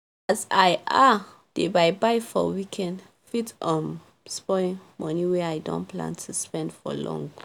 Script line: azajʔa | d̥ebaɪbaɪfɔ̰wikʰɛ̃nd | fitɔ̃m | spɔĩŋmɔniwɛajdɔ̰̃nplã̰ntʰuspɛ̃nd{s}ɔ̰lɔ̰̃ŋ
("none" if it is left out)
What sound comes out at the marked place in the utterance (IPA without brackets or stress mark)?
f